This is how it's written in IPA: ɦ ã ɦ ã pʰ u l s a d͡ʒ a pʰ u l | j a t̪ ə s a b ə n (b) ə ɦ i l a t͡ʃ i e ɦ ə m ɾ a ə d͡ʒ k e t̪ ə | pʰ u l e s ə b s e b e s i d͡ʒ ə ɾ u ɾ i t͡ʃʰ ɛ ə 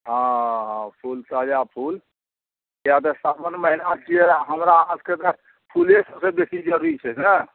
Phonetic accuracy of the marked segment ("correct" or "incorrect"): incorrect